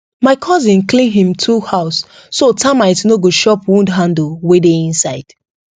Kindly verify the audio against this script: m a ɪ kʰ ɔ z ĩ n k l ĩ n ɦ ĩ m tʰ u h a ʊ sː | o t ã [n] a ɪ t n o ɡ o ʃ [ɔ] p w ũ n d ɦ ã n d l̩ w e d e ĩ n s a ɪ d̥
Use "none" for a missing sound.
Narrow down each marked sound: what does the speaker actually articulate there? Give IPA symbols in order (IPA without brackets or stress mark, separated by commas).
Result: m, ɔ